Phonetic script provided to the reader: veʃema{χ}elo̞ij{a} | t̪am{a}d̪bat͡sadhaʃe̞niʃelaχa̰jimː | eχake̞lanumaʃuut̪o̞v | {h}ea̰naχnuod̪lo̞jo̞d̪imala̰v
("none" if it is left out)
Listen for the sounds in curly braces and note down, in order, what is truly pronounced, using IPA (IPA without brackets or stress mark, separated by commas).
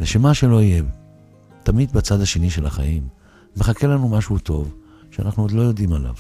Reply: ʃ, e, i, ʃ